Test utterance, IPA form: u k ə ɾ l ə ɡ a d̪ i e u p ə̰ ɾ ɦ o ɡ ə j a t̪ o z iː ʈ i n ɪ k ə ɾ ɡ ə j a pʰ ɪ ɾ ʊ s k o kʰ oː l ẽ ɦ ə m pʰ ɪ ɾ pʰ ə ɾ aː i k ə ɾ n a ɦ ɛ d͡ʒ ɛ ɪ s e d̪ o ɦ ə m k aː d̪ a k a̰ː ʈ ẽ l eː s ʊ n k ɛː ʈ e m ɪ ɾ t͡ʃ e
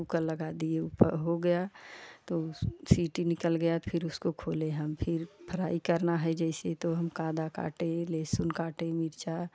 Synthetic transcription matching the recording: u k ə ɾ l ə ɡ a d̪ i e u p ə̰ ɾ ɦ o ɡ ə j a t̪ o s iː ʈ i n ɪ k ə l ɡ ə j a pʰ ɪ ɾ ʊ s k o kʰ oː l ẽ ɦ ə m pʰ ɪ ɾ pʰ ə ɾ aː i k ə ɾ n a ɦ ɛ d͡ʒ ɛ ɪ s e t̪ o ɦ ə m k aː d̪ a k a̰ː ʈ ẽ l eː s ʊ n k aː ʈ e m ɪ ɾ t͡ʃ a